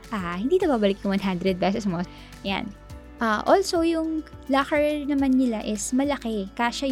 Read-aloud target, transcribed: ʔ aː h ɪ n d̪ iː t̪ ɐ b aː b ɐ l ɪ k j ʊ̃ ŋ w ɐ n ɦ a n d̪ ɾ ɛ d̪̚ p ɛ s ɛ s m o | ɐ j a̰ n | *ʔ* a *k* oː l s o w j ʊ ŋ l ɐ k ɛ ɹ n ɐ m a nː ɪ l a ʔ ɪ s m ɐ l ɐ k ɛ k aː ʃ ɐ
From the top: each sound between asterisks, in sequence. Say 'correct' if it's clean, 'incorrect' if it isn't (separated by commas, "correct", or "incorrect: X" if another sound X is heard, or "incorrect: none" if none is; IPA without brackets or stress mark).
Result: correct, incorrect: ʔ